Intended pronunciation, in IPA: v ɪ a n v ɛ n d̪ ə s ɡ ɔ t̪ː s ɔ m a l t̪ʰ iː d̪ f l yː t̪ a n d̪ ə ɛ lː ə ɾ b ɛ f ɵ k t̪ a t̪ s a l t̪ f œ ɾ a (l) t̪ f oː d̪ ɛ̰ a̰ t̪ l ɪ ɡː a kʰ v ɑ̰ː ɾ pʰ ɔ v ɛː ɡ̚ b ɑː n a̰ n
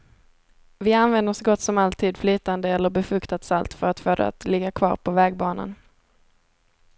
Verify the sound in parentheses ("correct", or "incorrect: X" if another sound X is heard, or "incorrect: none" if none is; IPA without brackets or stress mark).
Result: incorrect: none